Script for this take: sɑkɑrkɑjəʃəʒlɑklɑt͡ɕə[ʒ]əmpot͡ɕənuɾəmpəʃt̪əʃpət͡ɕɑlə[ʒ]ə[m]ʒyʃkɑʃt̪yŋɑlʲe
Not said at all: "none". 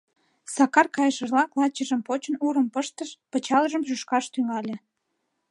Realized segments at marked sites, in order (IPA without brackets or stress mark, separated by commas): ʒ, ʒ, m